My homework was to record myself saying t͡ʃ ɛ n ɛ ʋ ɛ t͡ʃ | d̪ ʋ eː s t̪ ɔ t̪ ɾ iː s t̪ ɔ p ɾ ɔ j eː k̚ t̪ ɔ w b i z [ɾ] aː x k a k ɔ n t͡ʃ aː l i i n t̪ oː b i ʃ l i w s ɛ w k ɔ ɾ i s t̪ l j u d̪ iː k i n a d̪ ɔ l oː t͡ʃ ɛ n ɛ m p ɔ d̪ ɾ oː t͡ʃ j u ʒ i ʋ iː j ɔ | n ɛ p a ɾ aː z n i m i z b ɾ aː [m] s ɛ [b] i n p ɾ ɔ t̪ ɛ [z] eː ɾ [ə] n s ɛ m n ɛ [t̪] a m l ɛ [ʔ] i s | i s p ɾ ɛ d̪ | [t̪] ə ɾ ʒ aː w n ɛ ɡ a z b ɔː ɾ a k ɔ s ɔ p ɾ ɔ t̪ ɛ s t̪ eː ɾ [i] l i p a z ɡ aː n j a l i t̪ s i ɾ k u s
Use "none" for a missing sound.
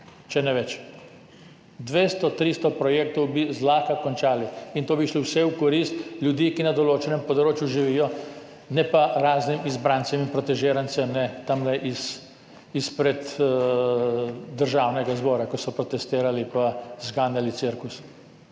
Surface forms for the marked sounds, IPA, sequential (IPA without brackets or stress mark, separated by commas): l, n, m, ʒ, a, t̪, ʔ, d̪, a